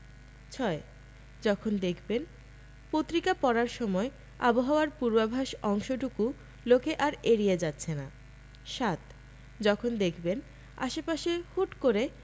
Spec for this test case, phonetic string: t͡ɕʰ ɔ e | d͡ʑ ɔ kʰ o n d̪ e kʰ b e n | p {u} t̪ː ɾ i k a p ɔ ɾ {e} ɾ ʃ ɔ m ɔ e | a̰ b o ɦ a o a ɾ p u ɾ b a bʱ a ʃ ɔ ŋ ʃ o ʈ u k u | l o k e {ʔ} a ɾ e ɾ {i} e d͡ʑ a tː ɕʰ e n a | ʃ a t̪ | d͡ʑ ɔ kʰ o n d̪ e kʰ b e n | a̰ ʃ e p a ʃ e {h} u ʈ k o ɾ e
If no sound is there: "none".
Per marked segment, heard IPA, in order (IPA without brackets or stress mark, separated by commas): o, a, ʔ, i, h